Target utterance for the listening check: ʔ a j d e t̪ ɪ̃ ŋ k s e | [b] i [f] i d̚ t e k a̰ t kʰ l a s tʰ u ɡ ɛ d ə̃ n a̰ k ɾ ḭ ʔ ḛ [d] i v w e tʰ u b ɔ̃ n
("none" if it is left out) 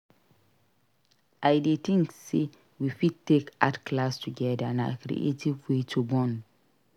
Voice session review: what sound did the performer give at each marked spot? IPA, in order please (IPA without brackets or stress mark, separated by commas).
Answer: w, f, t